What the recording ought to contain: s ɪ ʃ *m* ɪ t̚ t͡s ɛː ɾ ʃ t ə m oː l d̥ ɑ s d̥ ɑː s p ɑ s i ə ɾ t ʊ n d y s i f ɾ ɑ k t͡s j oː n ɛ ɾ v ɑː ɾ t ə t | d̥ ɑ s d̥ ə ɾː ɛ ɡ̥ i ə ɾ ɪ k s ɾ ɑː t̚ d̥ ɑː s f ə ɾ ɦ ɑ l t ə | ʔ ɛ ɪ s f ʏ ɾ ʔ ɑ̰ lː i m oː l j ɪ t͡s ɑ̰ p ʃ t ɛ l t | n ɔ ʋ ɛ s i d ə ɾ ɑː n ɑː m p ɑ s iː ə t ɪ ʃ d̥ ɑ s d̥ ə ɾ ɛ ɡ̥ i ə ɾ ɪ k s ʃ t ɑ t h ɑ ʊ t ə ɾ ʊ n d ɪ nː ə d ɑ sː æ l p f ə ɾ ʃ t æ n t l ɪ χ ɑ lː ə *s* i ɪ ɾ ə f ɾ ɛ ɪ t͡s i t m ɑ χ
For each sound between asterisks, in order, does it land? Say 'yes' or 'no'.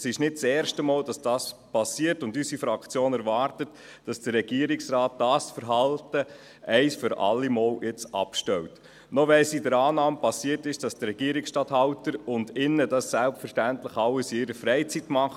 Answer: no, yes

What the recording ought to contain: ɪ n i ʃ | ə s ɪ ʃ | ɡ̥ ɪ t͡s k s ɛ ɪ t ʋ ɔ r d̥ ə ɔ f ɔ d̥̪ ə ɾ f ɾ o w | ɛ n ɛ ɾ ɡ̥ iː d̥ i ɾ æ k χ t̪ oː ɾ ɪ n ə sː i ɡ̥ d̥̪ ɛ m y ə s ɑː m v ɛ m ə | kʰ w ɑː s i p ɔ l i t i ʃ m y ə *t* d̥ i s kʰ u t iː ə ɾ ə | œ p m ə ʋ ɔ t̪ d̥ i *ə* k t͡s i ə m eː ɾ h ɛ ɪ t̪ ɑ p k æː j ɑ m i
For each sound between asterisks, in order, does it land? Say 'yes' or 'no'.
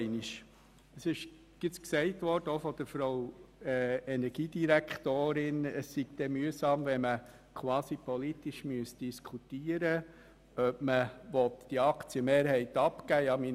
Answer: no, no

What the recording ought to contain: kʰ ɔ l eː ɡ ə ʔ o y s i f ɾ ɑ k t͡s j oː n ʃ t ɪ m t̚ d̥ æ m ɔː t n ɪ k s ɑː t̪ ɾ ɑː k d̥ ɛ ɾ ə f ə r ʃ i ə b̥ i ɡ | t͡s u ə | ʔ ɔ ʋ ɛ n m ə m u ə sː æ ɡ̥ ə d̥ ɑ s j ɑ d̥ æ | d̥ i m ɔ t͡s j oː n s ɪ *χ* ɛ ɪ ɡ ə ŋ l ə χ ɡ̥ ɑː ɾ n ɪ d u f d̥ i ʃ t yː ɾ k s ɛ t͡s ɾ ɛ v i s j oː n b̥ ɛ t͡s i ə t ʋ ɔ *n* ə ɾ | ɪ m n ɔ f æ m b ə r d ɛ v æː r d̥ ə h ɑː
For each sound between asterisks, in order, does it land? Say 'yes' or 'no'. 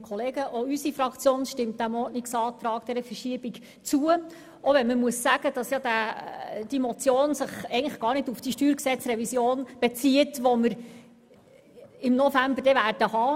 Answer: yes, no

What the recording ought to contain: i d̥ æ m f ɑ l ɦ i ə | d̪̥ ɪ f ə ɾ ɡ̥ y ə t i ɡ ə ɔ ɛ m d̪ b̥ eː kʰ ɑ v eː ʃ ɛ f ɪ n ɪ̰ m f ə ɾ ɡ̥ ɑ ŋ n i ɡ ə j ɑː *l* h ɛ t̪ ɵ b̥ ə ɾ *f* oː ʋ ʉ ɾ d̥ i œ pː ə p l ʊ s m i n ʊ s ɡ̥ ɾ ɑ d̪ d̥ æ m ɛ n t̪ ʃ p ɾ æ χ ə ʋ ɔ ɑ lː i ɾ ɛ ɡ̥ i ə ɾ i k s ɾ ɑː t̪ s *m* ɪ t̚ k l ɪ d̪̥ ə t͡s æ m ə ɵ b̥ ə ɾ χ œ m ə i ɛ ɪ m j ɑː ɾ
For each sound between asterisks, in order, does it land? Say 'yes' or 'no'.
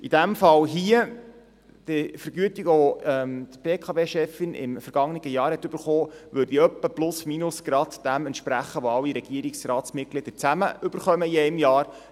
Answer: no, no, yes

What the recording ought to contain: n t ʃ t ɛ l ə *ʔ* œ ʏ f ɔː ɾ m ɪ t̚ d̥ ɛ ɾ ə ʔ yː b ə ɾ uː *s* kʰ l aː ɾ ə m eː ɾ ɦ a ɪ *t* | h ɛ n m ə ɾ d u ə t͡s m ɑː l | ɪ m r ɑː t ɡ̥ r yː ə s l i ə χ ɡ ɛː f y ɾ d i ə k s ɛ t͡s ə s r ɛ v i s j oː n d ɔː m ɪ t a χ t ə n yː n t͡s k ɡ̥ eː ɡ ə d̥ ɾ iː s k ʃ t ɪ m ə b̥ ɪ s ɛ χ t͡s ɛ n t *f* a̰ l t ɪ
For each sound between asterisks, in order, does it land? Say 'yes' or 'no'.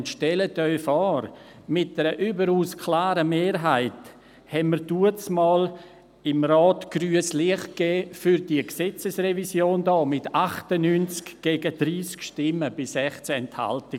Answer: no, yes, yes, no

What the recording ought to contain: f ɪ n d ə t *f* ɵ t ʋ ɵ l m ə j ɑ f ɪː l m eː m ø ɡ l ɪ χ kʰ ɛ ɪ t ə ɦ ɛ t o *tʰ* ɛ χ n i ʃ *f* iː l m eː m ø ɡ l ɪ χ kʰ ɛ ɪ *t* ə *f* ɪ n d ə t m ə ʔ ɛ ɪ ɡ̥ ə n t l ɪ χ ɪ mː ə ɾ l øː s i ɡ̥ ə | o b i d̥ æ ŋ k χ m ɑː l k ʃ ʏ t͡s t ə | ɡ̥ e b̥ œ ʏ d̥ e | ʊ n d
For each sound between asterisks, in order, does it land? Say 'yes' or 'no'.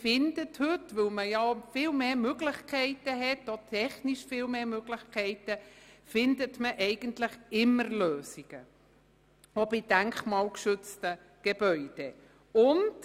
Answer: no, yes, yes, yes, yes

